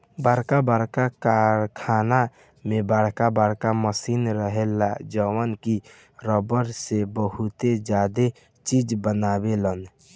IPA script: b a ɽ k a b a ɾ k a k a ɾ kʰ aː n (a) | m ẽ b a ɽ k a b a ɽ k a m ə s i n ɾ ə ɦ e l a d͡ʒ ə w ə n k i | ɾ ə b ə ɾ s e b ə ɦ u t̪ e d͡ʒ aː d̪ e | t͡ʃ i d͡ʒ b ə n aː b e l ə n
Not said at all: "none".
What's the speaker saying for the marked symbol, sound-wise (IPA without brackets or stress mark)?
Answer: a